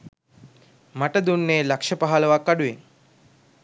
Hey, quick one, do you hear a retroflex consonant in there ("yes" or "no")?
yes